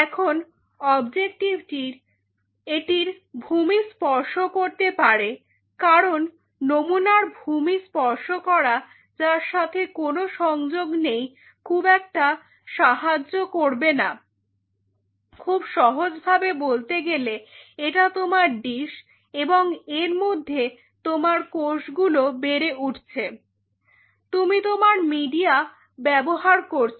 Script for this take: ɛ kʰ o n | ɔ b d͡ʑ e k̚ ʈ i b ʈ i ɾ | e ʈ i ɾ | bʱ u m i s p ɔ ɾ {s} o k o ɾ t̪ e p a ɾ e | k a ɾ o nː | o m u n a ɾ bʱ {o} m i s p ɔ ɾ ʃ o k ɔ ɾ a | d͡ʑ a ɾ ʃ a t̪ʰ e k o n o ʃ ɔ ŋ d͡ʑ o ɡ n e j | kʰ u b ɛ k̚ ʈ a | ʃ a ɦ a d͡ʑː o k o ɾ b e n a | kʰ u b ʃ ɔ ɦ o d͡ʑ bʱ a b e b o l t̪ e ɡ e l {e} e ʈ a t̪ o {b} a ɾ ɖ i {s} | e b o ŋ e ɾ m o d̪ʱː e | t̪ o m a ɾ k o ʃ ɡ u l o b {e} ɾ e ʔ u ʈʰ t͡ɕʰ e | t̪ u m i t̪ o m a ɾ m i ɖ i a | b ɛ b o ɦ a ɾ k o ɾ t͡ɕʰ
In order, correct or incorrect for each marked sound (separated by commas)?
incorrect, incorrect, correct, incorrect, incorrect, correct